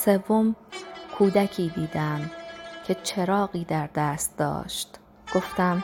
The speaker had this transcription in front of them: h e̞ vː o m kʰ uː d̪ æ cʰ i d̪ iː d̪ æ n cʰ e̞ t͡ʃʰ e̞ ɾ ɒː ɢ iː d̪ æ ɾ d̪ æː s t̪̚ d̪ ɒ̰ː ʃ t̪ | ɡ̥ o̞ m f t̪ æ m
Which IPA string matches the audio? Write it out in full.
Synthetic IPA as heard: s e̞ vː o m kʰ uː d̪ æ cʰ iː d̪ iː d̪ æ m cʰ e̞ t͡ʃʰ e̞ ɾ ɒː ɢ iː d̪ æ ɾ d̪ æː s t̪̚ d̪ ɒ̰ː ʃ t̪ | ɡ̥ o̞ f t̪ æ m